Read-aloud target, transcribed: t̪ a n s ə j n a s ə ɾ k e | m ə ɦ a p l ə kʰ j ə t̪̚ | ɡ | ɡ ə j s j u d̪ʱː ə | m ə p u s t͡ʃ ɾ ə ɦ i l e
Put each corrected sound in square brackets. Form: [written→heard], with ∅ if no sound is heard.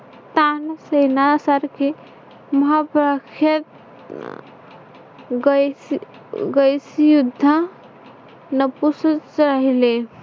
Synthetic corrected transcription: t̪ a n s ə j n a s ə ɾ k e | m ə ɦ a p [l→ɾ] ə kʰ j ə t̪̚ | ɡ | ɡ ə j s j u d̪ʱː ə | [m→n] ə p u s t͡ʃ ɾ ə ɦ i l e